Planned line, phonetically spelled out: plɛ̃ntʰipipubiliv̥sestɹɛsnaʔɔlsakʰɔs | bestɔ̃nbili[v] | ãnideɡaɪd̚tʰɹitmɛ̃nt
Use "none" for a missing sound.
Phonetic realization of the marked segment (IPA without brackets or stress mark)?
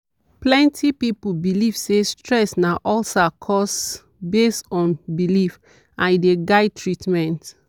f